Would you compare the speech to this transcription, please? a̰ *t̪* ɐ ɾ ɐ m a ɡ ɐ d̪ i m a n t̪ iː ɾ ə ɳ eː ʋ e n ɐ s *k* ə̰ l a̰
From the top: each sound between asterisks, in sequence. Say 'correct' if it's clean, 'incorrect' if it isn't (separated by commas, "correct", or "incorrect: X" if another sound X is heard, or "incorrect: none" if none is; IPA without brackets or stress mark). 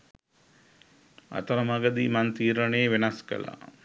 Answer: correct, correct